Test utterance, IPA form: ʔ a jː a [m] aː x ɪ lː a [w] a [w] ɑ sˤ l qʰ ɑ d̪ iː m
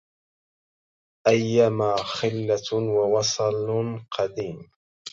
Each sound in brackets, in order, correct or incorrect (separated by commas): correct, correct, correct